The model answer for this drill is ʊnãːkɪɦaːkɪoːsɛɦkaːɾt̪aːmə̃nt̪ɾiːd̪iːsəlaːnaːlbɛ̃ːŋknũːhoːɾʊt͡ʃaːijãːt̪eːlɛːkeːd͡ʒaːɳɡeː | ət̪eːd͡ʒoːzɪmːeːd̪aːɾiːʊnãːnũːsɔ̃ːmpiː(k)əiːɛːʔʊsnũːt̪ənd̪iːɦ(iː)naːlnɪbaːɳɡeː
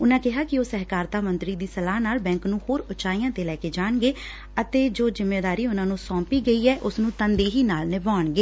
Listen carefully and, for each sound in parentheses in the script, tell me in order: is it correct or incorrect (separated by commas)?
incorrect, correct